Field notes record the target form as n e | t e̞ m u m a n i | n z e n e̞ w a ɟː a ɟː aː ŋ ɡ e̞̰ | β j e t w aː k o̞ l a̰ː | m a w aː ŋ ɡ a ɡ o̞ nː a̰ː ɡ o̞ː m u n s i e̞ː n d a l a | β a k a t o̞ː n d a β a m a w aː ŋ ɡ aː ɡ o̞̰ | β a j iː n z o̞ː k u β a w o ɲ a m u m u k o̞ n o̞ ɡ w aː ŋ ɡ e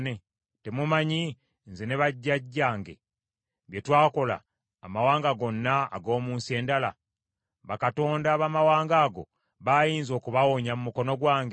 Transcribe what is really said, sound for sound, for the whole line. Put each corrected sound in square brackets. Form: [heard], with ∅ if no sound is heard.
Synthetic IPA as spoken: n e | t e̞ m u m a [ɲ] i | n z e n e̞ [β] a ɟː a ɟː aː ŋ ɡ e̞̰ | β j e t w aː k o̞ l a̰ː | m a w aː ŋ ɡ a ɡ o̞ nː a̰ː ɡ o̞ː m [uː] n s i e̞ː n d a l a | β a k a t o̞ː n d a β a m a w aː ŋ ɡ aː ɡ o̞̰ | β a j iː n z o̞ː k u β a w o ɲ a m u m u k o̞ n o̞ ɡ w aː ŋ ɡ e